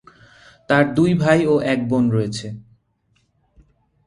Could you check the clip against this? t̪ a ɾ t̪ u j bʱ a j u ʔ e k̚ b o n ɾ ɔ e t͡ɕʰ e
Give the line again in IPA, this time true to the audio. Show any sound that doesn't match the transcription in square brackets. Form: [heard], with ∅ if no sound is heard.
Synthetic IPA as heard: t̪ a ɾ [d̪] u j bʱ a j [o] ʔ [ɛ] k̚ b o n ɾ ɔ e t͡ɕʰ e